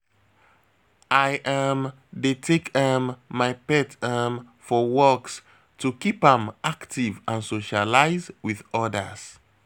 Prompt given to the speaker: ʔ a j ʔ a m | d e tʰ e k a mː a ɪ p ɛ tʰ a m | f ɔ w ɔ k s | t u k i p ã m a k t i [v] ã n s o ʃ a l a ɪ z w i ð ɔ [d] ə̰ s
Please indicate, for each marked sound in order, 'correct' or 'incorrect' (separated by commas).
correct, correct